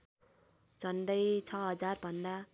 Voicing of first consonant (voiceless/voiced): voiced